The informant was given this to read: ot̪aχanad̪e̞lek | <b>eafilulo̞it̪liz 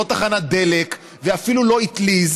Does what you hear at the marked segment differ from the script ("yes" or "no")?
yes